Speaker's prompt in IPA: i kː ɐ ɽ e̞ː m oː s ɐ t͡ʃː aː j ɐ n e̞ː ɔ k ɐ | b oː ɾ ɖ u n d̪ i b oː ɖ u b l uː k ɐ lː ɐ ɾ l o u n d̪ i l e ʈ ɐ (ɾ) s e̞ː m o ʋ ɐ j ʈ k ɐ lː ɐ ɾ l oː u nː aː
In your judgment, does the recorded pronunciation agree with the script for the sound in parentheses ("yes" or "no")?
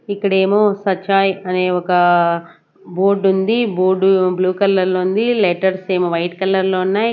yes